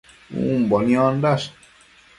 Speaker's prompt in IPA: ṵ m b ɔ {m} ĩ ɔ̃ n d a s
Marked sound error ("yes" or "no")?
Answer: yes